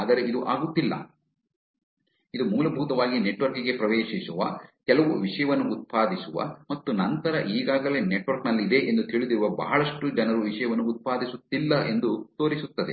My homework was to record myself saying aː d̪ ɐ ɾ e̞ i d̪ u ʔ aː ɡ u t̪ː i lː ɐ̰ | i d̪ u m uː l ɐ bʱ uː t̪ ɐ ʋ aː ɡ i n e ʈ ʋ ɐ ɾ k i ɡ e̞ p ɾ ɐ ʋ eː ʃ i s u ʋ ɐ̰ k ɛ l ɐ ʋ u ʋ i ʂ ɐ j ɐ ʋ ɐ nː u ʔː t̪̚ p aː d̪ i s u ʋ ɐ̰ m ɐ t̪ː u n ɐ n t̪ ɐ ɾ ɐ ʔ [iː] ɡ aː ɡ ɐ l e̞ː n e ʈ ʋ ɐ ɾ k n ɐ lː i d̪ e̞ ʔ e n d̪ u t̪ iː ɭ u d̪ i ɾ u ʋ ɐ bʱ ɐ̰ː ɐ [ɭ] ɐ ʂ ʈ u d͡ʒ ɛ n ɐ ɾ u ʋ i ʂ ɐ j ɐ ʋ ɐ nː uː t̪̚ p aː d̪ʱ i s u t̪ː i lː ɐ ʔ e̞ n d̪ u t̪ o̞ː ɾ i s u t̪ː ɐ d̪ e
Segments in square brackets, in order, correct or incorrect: correct, correct

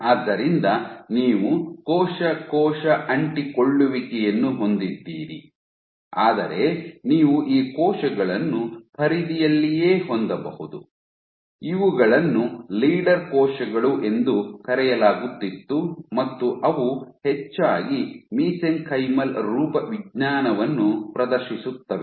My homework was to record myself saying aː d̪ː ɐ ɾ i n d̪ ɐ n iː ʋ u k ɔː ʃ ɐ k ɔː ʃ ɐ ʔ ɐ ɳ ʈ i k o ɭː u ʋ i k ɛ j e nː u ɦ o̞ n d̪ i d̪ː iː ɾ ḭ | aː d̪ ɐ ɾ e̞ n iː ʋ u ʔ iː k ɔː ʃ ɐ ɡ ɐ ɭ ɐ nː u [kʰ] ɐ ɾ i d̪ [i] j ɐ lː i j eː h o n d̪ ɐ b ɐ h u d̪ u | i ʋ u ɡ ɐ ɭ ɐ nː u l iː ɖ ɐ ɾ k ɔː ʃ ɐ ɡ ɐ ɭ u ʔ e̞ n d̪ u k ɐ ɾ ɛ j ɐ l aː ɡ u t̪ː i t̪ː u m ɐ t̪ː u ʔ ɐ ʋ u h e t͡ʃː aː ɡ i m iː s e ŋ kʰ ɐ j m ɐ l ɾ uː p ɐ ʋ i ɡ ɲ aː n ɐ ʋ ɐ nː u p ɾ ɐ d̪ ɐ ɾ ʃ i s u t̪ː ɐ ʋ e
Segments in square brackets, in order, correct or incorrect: incorrect: pʰ, correct

